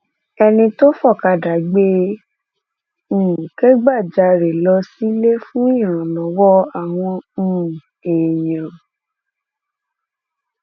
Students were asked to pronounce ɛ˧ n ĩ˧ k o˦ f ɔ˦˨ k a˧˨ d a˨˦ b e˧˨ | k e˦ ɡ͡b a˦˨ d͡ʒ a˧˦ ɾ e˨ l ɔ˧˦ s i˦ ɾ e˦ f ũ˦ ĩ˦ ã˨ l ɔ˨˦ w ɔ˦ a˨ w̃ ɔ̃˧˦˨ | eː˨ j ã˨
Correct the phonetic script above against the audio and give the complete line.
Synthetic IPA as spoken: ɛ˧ n ĩ˧ t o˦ f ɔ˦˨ k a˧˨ d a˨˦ ɡ͡b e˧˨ | k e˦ ɡ͡b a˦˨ d͡ʒ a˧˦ ɾ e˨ l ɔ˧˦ s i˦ l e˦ f ũ˦ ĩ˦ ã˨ l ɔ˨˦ w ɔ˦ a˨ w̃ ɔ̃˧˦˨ | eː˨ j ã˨